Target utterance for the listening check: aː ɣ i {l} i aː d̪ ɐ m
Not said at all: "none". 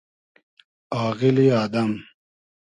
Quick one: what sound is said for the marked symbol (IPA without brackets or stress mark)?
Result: l